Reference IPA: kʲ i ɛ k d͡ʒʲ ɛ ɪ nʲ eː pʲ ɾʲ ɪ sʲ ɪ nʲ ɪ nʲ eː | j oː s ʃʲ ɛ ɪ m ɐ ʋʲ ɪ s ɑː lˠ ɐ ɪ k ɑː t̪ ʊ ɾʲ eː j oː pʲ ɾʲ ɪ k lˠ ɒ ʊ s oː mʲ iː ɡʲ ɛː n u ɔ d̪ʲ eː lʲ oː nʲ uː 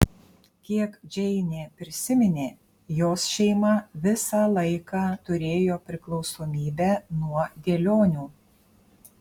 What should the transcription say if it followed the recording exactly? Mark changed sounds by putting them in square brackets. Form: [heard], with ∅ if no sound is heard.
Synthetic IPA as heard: kʲ i ɛ k d͡ʒʲ ɛ ɪ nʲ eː pʲ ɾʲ ɪ sʲ ɪ [mʲ] ɪ nʲ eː | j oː s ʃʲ ɛ ɪ m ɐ ʋʲ ɪ s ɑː lˠ ɐ ɪ k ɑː t̪ ʊ ɾʲ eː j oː pʲ ɾʲ ɪ k lˠ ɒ ʊ s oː mʲ iː [bʲ] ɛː n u ɔ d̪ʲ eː lʲ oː nʲ uː